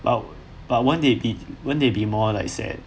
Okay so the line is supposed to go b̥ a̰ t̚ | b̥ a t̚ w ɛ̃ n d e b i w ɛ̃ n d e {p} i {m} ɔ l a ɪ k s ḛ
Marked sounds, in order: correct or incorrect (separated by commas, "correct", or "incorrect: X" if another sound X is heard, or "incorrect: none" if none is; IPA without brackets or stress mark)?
incorrect: b, correct